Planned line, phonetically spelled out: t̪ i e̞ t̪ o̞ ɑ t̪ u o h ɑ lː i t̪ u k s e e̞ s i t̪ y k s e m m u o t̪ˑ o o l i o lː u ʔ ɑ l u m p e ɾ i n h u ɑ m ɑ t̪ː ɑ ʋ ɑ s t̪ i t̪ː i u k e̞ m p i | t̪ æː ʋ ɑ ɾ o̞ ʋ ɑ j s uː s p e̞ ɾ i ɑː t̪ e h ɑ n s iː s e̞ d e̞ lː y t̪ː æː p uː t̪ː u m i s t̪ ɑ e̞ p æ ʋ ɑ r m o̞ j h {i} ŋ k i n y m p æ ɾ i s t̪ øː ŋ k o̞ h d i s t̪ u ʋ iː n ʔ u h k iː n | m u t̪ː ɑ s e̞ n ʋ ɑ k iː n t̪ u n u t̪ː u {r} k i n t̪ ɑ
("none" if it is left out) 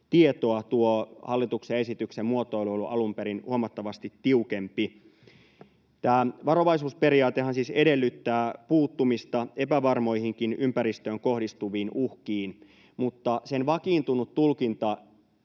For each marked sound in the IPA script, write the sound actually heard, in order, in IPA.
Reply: i, l

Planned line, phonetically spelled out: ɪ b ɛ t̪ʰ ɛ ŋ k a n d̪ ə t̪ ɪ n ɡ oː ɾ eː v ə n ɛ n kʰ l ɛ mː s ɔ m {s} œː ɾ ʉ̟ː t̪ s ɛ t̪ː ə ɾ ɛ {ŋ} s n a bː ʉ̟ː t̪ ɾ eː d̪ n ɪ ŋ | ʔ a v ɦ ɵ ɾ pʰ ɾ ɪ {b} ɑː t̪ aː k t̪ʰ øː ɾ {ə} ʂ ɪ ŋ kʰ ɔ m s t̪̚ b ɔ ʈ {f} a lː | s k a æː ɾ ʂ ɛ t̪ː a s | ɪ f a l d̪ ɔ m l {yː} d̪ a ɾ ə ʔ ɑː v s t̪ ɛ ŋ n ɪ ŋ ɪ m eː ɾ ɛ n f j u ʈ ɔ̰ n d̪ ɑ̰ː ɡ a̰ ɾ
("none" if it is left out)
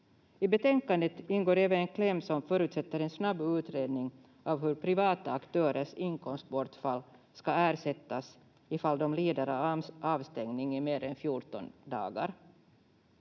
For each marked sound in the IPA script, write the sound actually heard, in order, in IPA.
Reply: f, n, v, ə, f, iː

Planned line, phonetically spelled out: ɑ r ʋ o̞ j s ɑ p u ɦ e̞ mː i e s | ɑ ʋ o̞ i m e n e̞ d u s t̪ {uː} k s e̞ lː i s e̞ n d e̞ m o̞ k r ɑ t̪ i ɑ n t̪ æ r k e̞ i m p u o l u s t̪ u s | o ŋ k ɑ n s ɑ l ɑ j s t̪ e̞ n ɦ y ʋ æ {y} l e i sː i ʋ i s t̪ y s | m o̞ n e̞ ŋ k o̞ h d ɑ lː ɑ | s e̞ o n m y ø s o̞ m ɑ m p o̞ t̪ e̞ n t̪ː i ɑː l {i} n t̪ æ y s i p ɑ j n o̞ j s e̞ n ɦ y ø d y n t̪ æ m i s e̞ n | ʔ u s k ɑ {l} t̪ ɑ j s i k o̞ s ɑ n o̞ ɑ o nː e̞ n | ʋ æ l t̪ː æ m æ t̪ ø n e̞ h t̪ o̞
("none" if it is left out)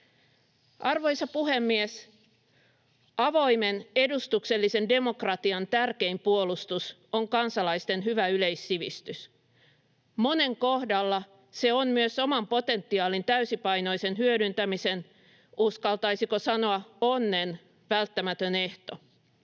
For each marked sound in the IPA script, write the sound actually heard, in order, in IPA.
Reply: u, y, i, l

